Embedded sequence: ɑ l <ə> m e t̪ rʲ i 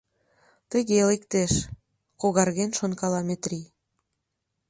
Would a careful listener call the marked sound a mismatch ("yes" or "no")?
yes